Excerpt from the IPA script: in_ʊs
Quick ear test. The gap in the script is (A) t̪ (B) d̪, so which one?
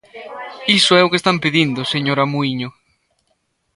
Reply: B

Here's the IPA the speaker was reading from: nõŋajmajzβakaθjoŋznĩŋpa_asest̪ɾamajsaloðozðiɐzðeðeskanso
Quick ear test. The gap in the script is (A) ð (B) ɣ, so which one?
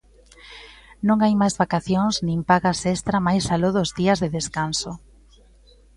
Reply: B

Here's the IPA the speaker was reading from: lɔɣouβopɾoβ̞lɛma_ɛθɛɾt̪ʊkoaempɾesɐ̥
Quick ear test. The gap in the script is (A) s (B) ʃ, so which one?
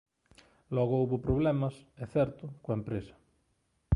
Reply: A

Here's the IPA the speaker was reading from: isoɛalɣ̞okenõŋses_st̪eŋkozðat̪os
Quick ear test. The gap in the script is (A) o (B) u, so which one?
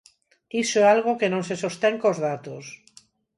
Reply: A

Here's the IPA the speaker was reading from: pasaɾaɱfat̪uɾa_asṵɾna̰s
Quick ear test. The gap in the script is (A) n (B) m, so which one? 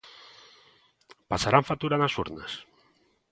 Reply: A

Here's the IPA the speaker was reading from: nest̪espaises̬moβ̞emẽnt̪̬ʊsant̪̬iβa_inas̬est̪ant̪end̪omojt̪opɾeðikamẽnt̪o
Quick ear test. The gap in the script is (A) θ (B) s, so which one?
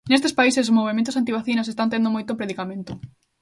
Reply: A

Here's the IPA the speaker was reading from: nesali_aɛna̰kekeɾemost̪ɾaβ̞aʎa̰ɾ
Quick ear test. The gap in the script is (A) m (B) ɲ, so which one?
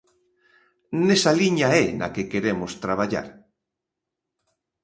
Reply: B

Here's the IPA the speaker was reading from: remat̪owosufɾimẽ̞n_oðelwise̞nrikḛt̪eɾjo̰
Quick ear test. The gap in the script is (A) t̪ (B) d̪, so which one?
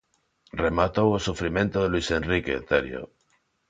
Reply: A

